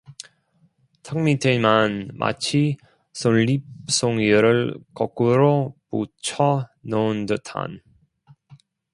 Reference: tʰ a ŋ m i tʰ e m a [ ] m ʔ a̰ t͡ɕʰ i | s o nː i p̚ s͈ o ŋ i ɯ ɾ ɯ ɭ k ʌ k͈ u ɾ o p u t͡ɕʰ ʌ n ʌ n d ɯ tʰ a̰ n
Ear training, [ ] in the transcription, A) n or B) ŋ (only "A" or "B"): A